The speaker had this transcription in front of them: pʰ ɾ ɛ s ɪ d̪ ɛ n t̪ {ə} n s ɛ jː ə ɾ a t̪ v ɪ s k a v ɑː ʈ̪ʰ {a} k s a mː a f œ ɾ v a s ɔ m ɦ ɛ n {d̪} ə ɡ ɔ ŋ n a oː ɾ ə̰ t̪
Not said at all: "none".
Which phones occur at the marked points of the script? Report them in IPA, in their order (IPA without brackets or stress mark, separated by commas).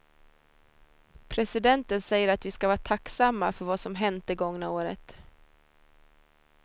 ə, a, t̪